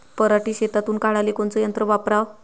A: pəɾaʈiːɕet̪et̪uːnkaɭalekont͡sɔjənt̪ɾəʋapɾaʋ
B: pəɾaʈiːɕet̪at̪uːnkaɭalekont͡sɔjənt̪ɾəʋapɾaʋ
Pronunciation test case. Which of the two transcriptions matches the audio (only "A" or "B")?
B